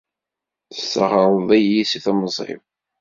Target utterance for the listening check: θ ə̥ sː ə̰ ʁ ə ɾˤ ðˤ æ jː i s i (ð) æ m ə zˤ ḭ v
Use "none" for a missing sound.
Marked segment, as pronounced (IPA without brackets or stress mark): θ